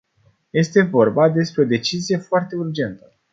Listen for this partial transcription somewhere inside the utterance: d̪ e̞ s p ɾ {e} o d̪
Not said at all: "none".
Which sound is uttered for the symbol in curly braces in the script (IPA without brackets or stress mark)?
e